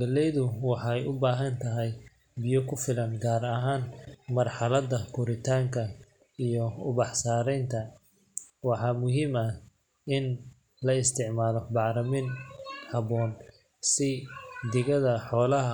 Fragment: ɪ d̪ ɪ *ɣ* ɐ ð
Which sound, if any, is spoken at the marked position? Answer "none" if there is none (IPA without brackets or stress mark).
ɣ